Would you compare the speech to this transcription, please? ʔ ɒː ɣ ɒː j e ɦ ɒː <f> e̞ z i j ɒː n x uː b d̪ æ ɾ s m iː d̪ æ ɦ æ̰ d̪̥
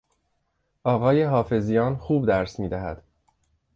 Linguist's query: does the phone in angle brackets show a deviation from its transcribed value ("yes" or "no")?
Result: no